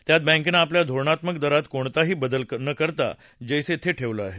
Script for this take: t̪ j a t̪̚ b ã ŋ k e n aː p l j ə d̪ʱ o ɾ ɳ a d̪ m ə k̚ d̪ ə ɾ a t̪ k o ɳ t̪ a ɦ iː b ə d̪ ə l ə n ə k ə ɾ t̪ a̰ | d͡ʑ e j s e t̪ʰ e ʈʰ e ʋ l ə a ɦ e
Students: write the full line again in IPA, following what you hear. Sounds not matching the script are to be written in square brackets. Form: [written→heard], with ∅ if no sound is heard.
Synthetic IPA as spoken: t̪ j a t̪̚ b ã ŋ k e n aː p l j [ə→a] d̪ʱ o ɾ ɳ a [d̪→t̪] m ə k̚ d̪ ə ɾ a t̪ k o ɳ t̪ a ɦ iː b ə d̪ ə l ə n ə k ə ɾ t̪ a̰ | d͡ʑ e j s e t̪ʰ e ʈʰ e ʋ l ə a ɦ e

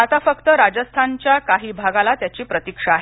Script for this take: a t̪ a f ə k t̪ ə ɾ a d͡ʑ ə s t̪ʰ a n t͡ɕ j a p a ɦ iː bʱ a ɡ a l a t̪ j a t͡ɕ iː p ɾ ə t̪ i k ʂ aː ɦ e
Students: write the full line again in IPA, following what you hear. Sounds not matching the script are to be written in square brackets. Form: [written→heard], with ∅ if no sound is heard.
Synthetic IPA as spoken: a t̪ a f ə k t̪ ə ɾ a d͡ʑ ə s t̪ʰ a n t͡ɕ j a [p→k] a ɦ iː bʱ a ɡ a l a t̪ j a t͡ɕ iː p ɾ ə t̪ i k ʂ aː ɦ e

